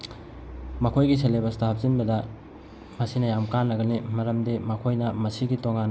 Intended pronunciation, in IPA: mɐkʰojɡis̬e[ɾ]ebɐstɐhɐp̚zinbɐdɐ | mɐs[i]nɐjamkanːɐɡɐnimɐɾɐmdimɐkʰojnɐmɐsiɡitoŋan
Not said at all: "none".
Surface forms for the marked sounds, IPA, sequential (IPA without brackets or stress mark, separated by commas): l, i